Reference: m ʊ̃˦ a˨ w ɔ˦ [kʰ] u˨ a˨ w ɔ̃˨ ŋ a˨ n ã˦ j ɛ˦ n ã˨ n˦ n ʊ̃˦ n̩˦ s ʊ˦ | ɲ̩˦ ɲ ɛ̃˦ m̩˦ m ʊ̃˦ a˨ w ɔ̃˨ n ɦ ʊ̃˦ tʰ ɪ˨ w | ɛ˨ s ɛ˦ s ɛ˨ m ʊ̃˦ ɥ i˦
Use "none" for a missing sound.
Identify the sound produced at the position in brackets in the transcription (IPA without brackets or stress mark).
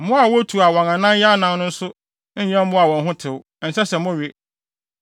tʰ